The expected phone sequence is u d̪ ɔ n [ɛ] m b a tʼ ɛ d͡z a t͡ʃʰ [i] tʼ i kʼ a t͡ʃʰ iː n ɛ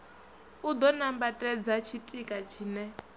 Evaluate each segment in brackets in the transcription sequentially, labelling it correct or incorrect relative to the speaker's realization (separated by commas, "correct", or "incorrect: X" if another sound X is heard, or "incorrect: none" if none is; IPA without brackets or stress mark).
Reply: incorrect: a, correct